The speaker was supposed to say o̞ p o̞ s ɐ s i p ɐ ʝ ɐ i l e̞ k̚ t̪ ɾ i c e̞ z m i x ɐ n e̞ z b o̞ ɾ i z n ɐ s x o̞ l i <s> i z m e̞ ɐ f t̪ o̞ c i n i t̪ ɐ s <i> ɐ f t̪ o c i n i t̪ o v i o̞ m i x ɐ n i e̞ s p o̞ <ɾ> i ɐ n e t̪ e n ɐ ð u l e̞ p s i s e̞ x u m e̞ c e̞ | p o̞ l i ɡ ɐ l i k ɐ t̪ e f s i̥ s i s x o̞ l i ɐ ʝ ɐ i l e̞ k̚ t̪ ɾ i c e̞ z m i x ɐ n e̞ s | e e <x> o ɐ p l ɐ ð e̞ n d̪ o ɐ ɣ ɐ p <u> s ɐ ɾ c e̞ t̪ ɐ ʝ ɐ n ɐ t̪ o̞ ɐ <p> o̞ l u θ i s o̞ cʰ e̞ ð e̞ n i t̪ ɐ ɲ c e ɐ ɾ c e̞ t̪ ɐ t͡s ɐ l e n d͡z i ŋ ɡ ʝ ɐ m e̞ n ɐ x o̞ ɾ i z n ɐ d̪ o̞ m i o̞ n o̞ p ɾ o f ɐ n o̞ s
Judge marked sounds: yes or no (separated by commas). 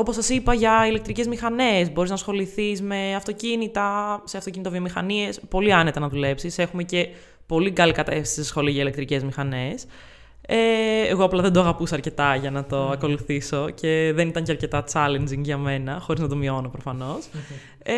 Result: no, no, no, no, yes, no